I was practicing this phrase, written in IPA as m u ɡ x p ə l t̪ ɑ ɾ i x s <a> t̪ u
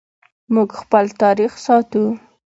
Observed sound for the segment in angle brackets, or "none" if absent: ɑ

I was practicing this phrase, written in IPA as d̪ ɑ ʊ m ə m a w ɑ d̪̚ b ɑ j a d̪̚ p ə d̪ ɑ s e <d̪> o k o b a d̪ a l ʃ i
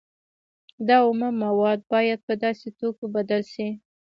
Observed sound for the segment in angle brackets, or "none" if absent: t̪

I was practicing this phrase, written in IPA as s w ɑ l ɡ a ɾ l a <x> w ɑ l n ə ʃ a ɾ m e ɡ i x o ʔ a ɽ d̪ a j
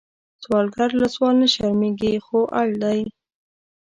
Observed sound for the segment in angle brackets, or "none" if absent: s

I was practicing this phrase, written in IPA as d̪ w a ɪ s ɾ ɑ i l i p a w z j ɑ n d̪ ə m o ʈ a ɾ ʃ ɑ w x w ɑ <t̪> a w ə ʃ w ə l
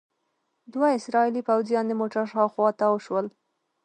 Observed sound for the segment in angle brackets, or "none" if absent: t̪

